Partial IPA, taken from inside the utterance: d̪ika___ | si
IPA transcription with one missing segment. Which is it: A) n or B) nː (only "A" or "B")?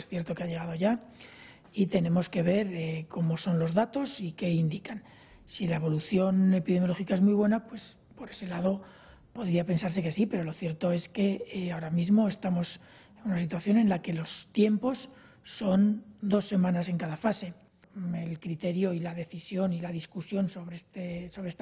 A